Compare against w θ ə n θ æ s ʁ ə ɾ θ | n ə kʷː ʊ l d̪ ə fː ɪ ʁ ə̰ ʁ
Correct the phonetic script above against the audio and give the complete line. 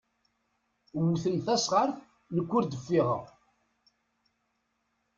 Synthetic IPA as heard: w θ ə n θ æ s ʁ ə ɾ θ | n ə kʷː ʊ ɾ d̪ ə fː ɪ ʁ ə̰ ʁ

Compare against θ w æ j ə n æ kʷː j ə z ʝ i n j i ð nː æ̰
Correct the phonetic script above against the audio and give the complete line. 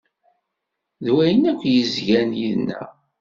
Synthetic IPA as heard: ð w æ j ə n æ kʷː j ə z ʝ æ n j i ð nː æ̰

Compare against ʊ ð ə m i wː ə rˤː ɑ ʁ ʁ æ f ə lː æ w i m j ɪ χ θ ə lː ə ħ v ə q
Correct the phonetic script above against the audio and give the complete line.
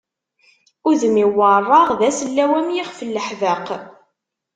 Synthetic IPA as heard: ʊ ð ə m i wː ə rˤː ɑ ʁ ð æ s ə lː æ w æ m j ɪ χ f ə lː ə ħ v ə q

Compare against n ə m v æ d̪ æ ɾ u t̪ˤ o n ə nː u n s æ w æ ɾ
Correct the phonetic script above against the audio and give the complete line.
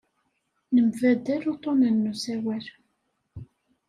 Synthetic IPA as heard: n ə m v æ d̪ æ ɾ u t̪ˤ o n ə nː u s æ w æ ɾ

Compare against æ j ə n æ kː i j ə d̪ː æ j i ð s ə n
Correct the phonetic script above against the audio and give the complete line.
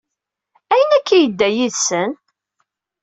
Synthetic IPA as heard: æ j ə n æ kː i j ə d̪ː æ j i ð s ə n

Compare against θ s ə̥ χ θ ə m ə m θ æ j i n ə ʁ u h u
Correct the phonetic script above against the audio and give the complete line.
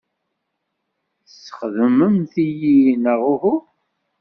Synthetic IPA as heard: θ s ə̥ χ ð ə m ə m θ i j i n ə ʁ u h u

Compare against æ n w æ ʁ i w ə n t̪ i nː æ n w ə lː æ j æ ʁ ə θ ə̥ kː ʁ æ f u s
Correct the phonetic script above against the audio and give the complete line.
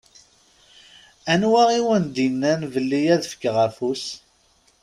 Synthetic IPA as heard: æ n w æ ʁ i w ə n d̪ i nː æ n v ə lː i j æ ð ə f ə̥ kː ʁ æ f u s

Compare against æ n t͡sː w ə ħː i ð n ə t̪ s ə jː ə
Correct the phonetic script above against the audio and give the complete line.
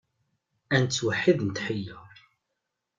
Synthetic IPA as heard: æ n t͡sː w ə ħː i ð n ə t̪ ħ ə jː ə

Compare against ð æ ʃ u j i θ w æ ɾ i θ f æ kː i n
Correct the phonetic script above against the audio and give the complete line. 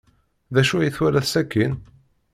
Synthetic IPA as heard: ð æ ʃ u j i θ w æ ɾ æ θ s æ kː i n

